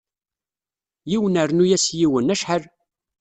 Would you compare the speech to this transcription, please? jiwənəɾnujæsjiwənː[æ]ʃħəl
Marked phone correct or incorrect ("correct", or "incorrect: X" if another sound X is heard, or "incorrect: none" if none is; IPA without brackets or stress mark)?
correct